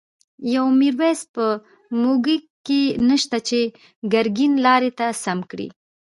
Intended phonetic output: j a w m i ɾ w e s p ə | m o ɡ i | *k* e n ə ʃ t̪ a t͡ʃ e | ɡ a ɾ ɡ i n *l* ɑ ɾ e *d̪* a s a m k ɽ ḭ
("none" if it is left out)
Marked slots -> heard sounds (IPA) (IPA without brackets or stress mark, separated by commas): k, l, t̪